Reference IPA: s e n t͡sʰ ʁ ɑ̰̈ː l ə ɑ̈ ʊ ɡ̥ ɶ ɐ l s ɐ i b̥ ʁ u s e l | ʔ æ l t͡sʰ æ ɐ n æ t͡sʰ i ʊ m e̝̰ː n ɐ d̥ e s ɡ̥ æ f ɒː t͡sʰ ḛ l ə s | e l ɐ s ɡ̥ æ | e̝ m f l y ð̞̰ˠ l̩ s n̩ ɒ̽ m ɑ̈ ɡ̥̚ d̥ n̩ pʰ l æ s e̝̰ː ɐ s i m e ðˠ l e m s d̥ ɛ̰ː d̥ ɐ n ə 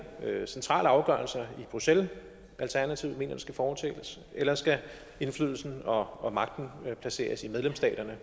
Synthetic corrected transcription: s e n t͡sʰ ʁ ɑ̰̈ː l ə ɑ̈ ʊ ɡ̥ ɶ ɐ l s ɐ i b̥ ʁ u s e l | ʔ æ l t͡sʰ æ ɐ n æ t͡sʰ i ʊ m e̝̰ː n ɐ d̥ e s ɡ̥ æ f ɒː t͡sʰ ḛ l ə s | e l ɐ s ɡ̥ æ | e̝ n f l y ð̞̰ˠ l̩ s n̩ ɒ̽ m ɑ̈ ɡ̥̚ d̥ n̩ pʰ l æ s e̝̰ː ɐ s i m e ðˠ l e m s d̥ ɛ̰ː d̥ ɐ n ə